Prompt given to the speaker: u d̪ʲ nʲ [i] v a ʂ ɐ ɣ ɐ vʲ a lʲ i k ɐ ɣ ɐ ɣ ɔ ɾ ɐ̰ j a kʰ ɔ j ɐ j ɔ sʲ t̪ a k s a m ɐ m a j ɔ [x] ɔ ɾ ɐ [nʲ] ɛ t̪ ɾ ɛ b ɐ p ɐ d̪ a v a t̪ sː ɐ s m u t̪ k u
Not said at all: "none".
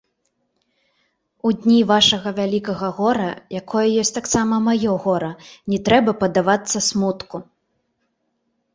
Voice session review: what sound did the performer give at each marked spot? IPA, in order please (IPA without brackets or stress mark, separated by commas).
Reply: i, ɣ, nʲ